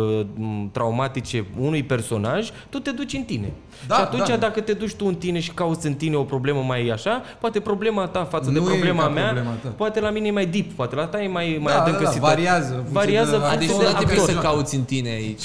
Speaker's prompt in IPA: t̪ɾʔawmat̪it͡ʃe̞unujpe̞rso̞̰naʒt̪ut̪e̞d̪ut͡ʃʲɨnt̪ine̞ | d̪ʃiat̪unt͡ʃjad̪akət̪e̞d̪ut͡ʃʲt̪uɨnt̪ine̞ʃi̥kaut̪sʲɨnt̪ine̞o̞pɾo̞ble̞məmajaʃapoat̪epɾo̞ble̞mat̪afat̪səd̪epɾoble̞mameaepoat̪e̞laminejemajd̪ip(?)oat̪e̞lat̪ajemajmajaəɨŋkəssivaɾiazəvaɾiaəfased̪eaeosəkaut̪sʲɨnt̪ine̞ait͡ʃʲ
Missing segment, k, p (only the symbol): p